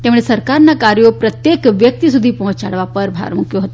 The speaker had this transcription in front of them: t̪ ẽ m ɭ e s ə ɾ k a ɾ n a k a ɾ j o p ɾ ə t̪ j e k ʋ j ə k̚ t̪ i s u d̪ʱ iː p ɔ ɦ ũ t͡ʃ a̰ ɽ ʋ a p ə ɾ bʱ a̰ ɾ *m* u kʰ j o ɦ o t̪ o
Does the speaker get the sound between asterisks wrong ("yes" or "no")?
no